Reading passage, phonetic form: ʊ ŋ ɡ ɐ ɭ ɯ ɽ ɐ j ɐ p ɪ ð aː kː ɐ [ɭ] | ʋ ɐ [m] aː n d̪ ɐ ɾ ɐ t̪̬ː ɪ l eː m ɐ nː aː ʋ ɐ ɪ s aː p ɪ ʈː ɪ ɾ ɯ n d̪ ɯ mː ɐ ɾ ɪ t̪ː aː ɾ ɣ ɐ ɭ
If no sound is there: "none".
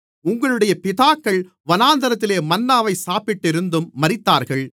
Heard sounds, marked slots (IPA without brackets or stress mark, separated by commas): ɭ, n